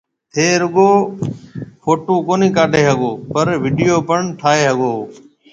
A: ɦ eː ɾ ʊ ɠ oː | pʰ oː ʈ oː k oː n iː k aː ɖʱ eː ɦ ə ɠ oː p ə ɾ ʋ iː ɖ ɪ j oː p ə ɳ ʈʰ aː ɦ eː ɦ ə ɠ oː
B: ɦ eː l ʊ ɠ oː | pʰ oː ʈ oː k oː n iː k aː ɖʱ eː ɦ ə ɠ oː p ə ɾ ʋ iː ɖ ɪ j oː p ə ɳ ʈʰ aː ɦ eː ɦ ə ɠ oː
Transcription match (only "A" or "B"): A